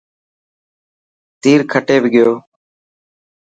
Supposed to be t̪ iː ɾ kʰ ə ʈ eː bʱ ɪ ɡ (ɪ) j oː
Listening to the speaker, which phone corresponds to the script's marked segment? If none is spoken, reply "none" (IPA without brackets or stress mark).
ɪ